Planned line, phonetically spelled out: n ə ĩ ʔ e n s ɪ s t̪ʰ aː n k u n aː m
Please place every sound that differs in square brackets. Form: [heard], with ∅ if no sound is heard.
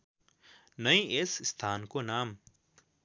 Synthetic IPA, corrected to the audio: n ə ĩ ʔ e [∅] s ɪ s t̪ʰ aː n k [o] n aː m